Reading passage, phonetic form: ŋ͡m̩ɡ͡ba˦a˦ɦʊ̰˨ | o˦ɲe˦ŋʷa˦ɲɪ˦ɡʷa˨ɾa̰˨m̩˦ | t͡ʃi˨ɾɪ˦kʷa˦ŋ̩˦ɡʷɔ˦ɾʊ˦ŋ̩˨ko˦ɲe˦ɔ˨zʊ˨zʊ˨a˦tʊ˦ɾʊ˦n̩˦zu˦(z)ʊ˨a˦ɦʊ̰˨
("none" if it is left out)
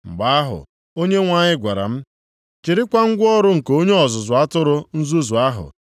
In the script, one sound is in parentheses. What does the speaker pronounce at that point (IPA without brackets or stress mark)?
z